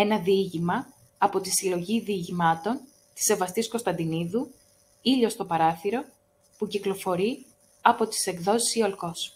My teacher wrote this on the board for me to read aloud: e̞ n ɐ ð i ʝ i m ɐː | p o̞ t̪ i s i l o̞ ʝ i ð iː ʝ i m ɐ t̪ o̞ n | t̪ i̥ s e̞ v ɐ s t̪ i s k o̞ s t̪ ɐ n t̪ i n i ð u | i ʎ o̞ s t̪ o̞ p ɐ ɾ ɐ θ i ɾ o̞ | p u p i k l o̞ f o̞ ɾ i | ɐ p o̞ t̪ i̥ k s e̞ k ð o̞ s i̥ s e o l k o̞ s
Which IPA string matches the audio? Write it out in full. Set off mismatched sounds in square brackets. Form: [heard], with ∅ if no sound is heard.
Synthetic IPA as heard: e̞ n ɐ ð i ʝ i m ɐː | p o̞ t̪ i s i l o̞ ʝ i ð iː ʝ i m ɐ t̪ o̞ n | t̪ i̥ s e̞ v ɐ s t̪ i s k o̞ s t̪ ɐ n [d̪] i n i ð u | i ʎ o̞ s t̪ o̞ p ɐ ɾ ɐ θ i ɾ o̞ | p u [c] i k l o̞ f o̞ ɾ i | ɐ p o̞ t̪ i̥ [∅] s e̞ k ð o̞ s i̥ s [i] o l k o̞ s